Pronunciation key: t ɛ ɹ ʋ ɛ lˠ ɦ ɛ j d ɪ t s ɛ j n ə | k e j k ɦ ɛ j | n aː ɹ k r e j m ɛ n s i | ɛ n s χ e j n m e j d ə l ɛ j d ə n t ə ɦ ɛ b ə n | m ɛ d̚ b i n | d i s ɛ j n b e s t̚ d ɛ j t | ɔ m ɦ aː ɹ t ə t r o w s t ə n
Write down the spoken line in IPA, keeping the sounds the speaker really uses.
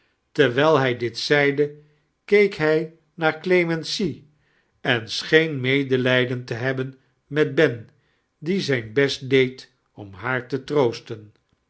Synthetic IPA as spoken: t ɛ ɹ ʋ ɛ lˠ ɦ ɛ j d ɪ t s ɛ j d ə | k e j k ɦ ɛ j | n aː ɹ k l e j m ɛ n s i | ɛ n s χ e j n m e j d ə l ɛ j d ə n t ə ɦ ɛ b ə n | m ɛ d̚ b ɛ n | d i z ɛ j n b ɛ s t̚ d e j t | ɔ m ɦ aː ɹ t ə t r o w s t ə n